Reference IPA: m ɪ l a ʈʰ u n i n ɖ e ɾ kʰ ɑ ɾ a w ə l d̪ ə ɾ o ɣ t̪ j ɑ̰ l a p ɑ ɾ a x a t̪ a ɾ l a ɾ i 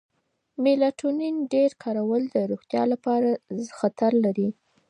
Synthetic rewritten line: m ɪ l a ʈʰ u n i n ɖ e ɾ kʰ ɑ ɾ a w ə l d̪ ə ɾ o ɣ t̪ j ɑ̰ l a p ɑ ɾ a x a t̪ a ɾ l a ɾ i